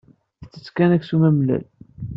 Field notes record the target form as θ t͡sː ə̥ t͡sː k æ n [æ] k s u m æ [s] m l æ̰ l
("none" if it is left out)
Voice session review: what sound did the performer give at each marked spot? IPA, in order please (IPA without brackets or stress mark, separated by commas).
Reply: æ, none